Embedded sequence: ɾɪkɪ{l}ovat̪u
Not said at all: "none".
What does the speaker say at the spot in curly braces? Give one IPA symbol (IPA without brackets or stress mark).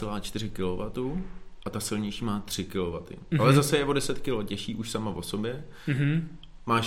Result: l